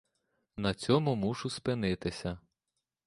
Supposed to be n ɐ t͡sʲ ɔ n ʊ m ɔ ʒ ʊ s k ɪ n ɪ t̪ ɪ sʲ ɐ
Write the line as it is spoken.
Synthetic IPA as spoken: n ɐ t͡sʲ ɔ m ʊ m u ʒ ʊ s p ɪ n ɪ t̪ ɪ sʲ ɐ